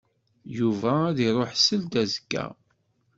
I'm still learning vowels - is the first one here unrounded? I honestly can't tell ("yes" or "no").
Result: no